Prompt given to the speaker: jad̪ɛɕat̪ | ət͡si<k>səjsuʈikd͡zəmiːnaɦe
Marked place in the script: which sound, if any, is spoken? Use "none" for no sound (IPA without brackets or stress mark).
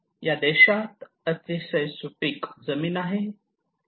none